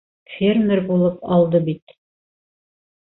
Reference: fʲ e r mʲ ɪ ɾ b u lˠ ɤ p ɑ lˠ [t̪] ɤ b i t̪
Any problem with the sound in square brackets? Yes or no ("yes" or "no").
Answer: yes